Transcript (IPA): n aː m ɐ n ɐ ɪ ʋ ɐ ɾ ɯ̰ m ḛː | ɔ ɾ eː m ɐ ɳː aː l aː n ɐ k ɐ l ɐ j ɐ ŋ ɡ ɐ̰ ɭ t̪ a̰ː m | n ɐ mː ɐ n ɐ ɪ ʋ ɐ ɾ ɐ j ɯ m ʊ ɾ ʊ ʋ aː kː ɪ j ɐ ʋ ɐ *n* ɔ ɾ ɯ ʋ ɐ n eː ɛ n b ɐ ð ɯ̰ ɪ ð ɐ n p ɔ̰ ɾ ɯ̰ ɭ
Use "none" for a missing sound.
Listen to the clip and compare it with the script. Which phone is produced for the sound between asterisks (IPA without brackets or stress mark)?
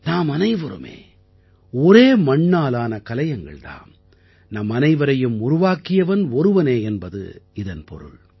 n